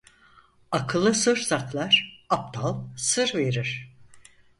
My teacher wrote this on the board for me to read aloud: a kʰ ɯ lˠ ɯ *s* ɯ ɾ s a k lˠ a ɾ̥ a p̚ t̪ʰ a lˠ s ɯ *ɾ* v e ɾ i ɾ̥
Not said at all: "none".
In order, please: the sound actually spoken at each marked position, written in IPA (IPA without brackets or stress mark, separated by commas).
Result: s, ɾ